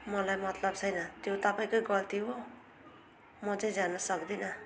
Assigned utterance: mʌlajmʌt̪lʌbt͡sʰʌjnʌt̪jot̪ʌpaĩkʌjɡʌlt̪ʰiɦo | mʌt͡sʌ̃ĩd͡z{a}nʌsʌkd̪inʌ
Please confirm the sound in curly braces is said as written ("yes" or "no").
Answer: yes